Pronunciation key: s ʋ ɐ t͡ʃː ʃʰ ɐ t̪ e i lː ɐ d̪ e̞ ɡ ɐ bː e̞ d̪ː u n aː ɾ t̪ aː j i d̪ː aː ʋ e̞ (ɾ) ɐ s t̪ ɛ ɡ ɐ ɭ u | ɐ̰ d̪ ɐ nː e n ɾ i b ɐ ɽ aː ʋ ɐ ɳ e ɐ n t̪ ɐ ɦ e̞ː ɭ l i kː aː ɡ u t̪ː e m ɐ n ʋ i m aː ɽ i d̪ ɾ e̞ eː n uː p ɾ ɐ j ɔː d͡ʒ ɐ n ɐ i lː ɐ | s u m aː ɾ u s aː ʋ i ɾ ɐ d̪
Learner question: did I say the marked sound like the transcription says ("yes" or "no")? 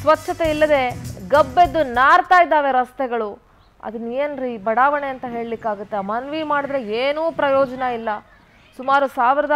yes